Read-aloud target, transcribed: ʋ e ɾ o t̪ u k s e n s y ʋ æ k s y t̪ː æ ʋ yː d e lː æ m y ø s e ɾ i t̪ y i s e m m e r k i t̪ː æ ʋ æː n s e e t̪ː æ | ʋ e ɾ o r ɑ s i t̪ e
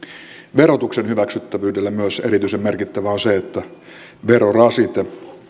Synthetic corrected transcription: ʋ e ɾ o t̪ u k s e n h y ʋ æ k s y t̪ː æ ʋ yː d e lː æ m y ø s e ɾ i t̪ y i s e m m e r k i t̪ː æ ʋ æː n s e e t̪ː æ | ʋ e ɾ o r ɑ s i t̪ e